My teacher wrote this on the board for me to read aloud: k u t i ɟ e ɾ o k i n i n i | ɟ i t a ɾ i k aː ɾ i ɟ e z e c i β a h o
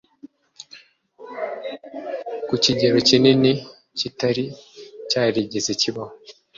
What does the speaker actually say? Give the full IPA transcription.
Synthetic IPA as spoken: k u c i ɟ e ɾ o c i n i n i | c i t a ɾ i c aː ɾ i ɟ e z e c i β a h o